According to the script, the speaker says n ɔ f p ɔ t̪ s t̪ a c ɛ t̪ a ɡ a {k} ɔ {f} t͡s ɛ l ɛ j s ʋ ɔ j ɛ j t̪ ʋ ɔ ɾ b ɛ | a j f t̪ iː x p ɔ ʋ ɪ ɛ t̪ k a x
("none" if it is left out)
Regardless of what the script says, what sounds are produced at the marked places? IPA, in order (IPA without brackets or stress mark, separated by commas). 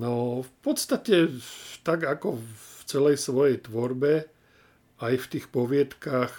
k, f